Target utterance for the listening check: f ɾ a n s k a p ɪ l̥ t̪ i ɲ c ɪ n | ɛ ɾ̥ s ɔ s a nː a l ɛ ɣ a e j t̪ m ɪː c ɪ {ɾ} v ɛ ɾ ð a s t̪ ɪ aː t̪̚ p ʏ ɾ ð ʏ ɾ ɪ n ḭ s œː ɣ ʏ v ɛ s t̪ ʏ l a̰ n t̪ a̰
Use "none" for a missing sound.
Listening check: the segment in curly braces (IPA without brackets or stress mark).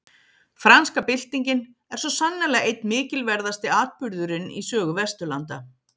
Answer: l